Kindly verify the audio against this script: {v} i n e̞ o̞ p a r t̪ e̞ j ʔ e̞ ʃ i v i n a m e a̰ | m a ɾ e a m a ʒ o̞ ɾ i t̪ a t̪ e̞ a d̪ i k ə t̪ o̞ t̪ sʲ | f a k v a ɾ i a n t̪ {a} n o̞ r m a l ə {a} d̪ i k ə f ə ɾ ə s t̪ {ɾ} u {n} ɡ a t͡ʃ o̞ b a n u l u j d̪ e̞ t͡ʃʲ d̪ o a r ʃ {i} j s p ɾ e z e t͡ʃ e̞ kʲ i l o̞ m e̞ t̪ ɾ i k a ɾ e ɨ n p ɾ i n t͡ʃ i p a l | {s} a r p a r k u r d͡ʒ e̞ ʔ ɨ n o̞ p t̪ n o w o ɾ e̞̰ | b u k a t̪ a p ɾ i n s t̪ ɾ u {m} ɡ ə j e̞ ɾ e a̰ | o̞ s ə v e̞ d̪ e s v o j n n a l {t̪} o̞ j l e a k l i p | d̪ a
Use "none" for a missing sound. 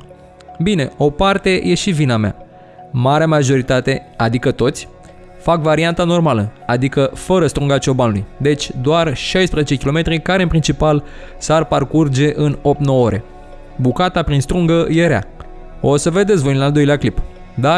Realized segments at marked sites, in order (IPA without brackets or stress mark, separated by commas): b, a, a, ɾ, ŋ, a, s, ŋ, d̪